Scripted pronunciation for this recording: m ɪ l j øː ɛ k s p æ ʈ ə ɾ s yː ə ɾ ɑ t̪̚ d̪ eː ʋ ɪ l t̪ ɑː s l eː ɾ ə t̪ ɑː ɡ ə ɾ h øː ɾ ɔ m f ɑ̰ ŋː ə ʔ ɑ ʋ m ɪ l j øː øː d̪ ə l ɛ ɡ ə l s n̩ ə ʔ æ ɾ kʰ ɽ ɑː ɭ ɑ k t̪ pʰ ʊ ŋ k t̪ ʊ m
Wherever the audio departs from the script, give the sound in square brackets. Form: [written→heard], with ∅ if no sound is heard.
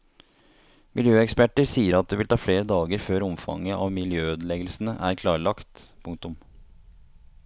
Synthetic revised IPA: m ɪ l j øː ɛ k s p æ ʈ ə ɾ s [yː→iː] ə ɾ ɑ t̪̚ d̪ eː ʋ ɪ l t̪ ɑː [s→f] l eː ɾ ə [t̪→d̪] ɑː ɡ ə ɾ [h→f] øː ɾ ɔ m f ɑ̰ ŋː ə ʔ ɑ ʋ m ɪ l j øː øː d̪ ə l ɛ ɡ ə l s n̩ ə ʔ æ ɾ kʰ [ɽ→l] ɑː ɭ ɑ k t̪ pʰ ʊ ŋ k t̪ ʊ m